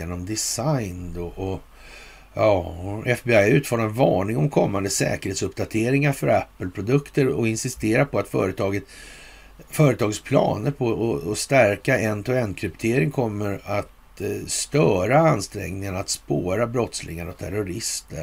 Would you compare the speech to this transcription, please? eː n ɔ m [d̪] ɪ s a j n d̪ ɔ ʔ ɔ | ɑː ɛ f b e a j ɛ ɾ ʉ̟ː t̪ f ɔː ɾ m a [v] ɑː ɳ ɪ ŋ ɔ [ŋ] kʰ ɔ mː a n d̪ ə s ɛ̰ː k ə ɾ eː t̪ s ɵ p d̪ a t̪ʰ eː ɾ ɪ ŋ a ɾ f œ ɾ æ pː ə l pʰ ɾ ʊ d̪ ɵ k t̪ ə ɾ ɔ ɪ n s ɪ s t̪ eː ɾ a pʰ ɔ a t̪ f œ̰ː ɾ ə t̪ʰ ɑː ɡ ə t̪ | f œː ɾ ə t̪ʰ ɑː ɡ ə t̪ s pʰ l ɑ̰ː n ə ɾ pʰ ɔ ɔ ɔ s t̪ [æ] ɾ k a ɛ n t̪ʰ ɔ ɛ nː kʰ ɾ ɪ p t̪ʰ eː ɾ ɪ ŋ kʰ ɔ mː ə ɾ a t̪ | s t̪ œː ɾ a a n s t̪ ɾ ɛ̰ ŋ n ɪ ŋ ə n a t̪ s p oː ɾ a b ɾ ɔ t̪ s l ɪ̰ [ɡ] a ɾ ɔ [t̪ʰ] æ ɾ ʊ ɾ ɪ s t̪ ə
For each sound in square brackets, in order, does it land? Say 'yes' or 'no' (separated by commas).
yes, yes, no, yes, no, yes